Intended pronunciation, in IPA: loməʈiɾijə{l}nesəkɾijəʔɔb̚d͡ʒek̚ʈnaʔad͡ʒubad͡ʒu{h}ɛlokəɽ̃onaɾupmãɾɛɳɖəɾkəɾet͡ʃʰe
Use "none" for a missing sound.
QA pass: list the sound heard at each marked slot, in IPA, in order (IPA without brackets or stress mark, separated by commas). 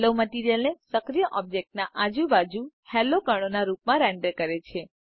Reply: l, h